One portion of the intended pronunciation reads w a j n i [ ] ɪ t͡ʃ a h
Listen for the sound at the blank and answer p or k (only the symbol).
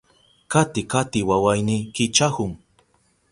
k